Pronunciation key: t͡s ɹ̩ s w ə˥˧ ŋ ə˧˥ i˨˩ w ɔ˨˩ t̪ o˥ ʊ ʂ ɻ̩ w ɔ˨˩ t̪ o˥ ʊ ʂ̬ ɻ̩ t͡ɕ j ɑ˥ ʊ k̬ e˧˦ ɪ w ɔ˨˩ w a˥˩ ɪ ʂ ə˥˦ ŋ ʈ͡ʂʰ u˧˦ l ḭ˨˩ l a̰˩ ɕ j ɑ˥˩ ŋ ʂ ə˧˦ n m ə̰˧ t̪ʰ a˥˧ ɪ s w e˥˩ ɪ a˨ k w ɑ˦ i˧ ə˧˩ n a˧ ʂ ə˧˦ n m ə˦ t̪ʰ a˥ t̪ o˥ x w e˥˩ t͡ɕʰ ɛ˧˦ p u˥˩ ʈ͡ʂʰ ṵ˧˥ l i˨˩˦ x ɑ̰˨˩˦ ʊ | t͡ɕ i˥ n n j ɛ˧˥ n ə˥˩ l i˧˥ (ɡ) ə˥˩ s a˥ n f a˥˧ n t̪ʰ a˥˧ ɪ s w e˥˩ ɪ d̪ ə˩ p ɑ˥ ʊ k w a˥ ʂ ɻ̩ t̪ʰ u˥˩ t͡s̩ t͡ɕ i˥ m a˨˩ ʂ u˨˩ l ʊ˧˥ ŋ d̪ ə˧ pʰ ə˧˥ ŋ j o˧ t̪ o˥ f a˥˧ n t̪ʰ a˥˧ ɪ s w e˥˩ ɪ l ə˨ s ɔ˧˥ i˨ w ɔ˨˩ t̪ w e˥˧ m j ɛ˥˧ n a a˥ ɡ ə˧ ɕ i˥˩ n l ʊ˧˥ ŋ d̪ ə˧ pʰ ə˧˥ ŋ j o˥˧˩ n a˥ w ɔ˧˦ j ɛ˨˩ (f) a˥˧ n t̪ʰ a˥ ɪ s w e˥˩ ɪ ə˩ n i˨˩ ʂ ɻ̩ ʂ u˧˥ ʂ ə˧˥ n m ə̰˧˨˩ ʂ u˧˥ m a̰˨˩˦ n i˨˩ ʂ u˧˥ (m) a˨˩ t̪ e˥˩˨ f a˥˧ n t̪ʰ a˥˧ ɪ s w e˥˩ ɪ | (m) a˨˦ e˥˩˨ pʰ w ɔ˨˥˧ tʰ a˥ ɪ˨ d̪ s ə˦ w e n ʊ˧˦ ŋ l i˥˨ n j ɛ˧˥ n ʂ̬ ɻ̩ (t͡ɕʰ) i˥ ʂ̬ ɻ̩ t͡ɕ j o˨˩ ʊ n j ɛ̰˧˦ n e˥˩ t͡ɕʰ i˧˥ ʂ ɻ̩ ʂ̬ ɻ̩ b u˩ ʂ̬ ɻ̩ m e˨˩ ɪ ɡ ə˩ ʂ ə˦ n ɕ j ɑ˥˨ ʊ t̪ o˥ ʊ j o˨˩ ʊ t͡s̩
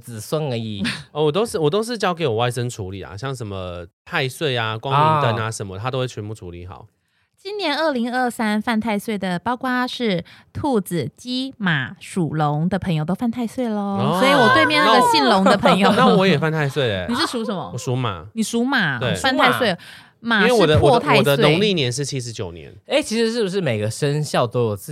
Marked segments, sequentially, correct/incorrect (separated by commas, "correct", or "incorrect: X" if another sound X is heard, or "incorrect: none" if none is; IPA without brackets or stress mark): incorrect: ŋ, correct, correct, correct, correct